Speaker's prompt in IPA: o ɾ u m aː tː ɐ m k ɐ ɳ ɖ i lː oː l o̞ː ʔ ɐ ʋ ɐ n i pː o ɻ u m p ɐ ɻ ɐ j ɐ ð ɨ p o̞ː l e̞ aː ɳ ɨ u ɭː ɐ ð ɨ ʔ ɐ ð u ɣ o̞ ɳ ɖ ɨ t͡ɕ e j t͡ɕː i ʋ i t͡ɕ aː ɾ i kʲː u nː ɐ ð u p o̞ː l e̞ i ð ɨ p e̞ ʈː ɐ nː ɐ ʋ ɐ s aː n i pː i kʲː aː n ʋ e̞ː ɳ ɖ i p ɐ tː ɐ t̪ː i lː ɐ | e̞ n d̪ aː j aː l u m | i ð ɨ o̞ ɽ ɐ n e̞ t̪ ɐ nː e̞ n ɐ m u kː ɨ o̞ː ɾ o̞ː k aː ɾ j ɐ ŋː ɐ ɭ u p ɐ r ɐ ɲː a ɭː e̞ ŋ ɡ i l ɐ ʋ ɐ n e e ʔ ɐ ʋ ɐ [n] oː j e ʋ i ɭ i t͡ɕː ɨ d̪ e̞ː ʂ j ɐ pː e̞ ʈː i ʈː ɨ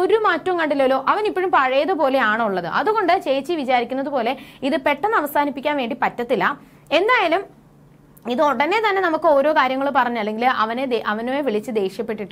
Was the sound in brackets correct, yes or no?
yes